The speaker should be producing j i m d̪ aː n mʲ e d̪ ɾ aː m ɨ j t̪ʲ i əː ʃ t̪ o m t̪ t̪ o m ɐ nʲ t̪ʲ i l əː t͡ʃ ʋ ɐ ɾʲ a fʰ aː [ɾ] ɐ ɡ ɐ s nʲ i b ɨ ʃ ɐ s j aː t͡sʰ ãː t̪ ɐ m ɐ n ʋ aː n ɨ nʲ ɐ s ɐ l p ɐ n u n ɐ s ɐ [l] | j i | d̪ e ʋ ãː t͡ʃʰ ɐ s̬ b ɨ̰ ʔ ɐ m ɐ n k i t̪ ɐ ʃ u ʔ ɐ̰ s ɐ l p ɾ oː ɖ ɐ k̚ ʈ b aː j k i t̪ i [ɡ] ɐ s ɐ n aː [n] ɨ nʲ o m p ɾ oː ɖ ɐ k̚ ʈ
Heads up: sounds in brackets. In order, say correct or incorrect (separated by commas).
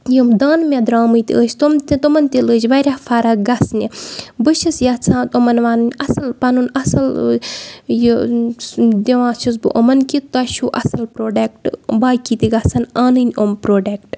correct, correct, correct, correct